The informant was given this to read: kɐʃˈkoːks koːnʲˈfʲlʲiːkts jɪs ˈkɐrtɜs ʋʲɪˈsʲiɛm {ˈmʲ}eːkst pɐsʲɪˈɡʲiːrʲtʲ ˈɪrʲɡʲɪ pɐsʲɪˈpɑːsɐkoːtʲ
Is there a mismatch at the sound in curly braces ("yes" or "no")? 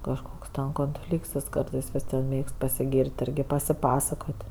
no